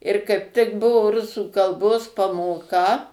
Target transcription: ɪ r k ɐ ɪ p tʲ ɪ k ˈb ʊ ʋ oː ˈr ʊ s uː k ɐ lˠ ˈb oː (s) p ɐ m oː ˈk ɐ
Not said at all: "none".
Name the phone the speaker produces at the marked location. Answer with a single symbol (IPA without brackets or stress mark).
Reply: s